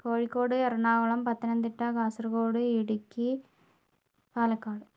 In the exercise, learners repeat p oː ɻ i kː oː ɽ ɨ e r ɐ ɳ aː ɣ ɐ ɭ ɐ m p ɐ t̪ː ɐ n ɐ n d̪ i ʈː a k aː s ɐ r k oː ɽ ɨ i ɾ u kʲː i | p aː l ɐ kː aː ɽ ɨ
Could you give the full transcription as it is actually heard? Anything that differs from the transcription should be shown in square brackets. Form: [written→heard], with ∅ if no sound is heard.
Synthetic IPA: p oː ɻ i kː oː ɽ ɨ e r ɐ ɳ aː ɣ ɐ ɭ ɐ m p ɐ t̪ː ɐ n ɐ n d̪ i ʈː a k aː s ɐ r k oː ɽ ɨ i [ɾ→ɽ] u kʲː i | p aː l ɐ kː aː ɽ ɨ